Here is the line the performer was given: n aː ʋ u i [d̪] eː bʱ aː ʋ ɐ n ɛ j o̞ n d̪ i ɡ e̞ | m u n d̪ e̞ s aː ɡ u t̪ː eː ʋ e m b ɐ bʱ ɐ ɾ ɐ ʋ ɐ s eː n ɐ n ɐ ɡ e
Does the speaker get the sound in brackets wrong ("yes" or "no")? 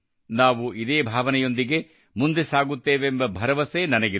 no